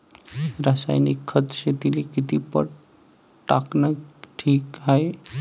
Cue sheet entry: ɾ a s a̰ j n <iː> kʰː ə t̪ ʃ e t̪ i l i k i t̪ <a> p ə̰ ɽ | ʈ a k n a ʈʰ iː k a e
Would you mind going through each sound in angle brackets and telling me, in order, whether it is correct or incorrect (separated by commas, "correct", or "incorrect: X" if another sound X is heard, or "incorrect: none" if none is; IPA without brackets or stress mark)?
incorrect: i, incorrect: i